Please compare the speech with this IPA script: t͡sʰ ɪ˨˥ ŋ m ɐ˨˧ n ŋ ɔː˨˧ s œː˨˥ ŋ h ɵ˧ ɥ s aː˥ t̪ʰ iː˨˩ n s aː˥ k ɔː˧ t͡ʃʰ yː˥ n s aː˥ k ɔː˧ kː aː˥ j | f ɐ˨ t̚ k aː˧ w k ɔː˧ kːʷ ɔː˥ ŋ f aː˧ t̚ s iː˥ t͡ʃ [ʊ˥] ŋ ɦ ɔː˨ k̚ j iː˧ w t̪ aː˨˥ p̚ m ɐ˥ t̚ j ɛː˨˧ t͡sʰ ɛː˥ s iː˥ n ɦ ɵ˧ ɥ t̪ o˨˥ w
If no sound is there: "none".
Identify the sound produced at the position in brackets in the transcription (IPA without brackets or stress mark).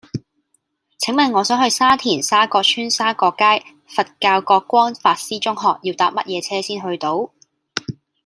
ʊ˥